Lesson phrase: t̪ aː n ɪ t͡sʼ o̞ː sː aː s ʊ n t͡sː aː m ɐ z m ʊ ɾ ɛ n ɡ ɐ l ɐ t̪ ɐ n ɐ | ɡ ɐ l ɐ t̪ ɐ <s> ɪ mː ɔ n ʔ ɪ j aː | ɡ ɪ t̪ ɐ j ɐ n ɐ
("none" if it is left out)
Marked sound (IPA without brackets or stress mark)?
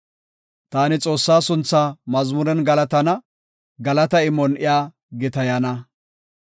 none